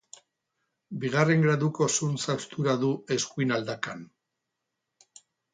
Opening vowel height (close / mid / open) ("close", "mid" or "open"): close